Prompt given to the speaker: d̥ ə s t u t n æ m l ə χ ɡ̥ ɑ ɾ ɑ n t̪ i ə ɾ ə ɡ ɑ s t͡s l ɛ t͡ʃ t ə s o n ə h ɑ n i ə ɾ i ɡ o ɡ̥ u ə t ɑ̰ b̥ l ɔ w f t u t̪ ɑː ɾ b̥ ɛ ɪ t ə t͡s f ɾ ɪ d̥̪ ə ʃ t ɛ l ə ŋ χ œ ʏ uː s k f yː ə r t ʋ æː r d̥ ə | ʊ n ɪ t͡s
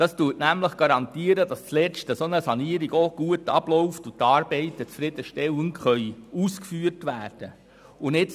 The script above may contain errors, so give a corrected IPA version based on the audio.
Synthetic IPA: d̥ ɑ s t u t n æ m l ə χ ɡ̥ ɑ ɾ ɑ n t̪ i ə ɾ ə d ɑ s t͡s l ɛ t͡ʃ t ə s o n ə s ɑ n i ə ɾ i ɡ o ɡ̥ u ə t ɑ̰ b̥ l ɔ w f t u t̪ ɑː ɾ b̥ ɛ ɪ t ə t͡s f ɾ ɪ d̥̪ ə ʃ t ɛ l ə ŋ χ œ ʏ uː s k f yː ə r t ʋ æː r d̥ ə | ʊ n ɪ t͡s